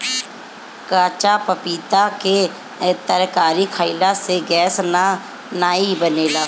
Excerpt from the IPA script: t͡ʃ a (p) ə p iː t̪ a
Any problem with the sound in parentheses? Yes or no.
no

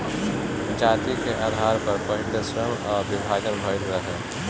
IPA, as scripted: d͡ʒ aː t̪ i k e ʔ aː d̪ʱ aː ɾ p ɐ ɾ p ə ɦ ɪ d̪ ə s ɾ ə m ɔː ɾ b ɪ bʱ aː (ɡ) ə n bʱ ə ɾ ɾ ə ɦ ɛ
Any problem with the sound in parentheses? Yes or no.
no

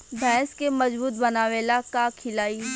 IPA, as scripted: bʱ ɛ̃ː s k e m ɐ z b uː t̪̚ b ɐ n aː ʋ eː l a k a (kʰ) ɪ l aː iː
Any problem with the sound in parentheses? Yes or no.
no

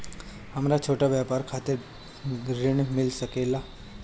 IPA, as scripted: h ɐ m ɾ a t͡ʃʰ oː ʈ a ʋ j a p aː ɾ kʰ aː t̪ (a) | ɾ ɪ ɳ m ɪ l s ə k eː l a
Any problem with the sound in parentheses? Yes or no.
yes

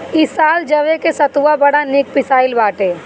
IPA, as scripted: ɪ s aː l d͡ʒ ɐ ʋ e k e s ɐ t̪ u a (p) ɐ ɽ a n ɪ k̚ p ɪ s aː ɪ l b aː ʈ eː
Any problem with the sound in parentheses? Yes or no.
yes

